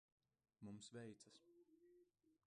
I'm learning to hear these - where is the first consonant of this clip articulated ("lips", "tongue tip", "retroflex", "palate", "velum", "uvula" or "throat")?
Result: lips